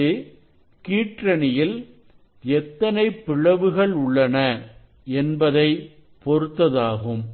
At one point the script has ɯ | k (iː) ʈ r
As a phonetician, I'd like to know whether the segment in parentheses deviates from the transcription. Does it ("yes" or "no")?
no